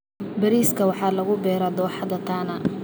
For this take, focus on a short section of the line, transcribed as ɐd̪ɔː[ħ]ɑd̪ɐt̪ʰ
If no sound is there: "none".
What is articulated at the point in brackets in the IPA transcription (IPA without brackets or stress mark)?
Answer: ħ